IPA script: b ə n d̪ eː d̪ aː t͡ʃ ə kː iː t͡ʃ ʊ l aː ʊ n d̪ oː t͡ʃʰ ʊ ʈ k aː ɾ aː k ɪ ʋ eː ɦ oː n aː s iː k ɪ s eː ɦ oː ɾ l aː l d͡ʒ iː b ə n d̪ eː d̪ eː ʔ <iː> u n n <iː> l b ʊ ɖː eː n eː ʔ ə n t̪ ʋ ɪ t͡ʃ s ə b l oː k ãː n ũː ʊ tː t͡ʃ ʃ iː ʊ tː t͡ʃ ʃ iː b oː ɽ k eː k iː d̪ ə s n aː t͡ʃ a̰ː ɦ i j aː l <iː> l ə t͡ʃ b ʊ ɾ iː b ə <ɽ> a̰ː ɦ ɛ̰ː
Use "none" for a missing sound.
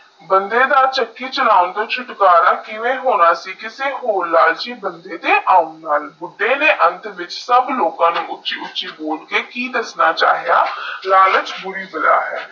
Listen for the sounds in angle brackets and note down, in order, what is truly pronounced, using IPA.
aː, aː, aː, l

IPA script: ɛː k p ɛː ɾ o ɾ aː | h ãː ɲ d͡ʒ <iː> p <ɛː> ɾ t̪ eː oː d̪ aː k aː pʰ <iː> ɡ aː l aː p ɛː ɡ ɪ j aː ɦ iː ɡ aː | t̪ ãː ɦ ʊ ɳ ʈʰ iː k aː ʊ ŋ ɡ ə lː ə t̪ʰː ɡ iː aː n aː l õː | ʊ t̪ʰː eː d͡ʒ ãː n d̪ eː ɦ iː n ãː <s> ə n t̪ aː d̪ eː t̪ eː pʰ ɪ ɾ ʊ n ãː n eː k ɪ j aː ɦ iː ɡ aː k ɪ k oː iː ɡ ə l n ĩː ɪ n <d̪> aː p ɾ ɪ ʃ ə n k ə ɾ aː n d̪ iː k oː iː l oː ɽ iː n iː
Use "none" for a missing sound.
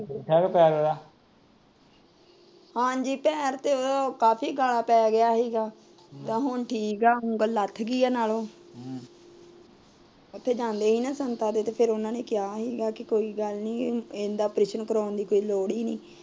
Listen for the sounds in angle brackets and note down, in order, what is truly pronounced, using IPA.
iː, ɛː, iː, s, d̪

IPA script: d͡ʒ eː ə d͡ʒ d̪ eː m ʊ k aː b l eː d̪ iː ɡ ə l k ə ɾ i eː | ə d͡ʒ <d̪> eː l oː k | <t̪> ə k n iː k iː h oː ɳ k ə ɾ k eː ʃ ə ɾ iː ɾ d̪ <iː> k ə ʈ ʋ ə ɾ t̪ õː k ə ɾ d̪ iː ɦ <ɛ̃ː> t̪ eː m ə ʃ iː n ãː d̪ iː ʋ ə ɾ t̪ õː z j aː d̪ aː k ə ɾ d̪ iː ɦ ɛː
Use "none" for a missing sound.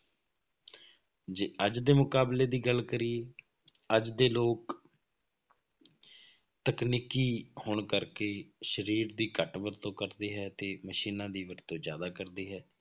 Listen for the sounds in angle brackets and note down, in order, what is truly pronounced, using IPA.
d̪, t̪, iː, ɛː

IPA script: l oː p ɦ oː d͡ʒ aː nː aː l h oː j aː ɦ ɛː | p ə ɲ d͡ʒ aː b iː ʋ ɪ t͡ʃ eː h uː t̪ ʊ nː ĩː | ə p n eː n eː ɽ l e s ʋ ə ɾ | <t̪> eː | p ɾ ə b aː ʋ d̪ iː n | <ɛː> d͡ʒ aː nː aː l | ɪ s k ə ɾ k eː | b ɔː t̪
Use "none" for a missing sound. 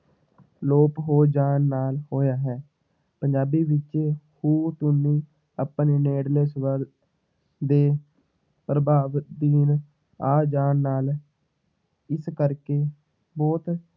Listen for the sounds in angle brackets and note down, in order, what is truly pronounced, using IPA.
d̪, aː

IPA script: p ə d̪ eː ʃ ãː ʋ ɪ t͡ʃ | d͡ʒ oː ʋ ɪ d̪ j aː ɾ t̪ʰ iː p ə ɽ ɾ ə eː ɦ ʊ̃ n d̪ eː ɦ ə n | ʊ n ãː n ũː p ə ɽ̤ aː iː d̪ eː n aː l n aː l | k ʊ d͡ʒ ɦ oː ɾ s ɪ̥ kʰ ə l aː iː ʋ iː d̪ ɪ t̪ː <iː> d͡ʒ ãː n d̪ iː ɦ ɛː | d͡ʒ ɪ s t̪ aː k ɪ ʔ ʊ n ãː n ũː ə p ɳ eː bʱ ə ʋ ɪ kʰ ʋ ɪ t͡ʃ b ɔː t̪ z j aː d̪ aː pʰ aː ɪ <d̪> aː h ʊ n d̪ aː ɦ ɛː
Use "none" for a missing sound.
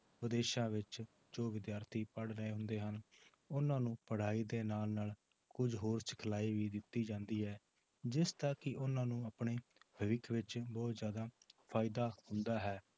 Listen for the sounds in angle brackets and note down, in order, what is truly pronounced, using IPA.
iː, d̪

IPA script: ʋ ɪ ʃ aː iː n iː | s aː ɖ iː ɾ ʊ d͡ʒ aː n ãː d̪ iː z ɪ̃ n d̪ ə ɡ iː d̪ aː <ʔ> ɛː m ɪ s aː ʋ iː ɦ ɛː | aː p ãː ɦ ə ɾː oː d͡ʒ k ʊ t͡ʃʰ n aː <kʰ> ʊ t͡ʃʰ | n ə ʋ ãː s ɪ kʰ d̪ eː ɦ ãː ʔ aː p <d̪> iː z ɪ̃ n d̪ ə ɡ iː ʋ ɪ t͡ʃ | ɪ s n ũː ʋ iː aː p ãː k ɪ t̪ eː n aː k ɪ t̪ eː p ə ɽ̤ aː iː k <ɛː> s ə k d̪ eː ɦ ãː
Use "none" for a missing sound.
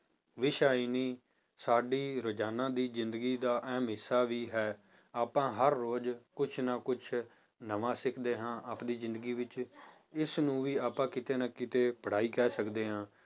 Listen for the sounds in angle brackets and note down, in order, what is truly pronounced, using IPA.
ʔ, k, d̪, ɛː

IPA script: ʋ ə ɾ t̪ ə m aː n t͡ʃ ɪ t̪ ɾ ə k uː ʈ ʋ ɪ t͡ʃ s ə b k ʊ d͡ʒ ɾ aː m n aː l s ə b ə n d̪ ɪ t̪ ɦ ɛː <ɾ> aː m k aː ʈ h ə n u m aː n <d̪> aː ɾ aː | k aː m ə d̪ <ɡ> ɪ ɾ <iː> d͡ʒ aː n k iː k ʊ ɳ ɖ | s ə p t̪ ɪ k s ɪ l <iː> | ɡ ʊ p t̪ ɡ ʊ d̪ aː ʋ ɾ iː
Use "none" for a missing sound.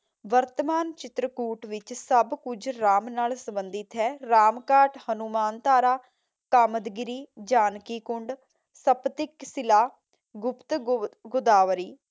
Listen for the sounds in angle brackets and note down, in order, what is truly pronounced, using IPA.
ɾ, t̪, ɡ, iː, aː

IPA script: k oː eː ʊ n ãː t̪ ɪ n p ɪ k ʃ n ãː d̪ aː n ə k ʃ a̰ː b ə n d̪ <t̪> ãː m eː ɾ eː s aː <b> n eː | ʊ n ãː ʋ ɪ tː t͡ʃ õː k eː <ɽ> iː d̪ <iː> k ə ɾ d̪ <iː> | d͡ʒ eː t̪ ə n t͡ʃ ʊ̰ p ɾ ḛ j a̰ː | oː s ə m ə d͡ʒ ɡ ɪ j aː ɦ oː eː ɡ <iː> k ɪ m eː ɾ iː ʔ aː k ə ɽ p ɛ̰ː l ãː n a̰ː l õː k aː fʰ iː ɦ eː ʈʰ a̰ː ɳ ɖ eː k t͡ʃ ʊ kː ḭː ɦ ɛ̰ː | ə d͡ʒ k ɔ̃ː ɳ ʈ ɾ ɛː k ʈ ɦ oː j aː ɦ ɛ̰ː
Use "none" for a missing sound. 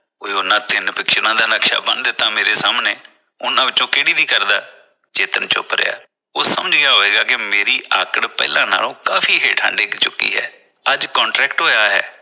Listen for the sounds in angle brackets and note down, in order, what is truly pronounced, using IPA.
t̪, m, ɽ, iː, aː, aː

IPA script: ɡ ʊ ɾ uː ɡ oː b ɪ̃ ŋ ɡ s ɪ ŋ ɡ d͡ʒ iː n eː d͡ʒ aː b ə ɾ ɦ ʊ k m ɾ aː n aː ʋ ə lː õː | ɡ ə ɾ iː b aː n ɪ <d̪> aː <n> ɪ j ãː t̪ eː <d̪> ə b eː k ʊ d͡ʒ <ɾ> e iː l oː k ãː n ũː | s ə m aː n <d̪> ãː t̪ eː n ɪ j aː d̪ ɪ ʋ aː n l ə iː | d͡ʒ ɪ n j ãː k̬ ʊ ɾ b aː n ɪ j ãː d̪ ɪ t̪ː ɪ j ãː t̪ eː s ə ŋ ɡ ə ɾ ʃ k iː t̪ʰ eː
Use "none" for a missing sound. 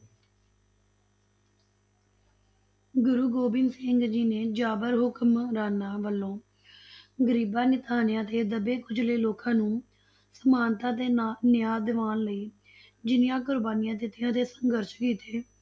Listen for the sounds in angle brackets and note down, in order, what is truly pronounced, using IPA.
t̪, n, d̪, l, t̪

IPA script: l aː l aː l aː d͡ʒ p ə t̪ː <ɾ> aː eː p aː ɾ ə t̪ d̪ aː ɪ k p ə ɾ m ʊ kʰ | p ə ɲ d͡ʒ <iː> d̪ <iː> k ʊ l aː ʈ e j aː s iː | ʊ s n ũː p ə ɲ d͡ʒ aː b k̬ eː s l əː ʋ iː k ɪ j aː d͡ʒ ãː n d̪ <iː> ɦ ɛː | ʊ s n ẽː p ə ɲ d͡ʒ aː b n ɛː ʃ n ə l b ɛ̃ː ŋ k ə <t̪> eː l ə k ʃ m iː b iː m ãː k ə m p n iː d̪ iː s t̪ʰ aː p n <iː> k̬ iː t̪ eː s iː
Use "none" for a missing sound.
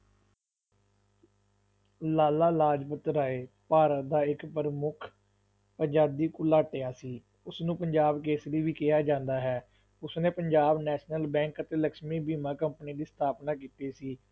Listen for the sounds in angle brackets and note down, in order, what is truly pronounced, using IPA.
ɾ, aː, iː, aː, t̪, aː

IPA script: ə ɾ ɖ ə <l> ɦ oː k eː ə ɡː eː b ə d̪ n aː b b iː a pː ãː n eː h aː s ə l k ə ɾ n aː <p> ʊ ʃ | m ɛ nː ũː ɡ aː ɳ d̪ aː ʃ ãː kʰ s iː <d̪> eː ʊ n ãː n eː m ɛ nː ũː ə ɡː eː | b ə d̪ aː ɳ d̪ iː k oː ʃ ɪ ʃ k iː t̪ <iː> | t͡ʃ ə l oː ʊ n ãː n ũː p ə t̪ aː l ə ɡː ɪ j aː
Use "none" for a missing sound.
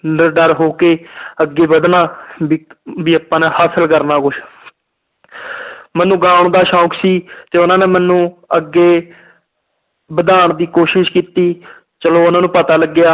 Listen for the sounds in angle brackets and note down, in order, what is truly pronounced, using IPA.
ɾ, k, t̪, iː

